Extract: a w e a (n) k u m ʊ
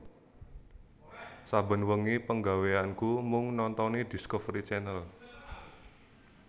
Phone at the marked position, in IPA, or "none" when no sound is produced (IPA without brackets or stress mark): n